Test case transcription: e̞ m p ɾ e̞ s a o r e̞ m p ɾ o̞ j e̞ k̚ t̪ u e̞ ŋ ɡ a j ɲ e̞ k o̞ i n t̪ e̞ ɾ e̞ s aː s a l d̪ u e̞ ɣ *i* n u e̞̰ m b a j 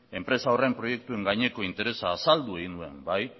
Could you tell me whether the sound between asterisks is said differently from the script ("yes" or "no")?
no